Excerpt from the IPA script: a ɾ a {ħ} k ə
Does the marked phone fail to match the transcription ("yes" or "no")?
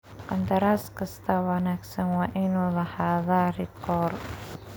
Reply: yes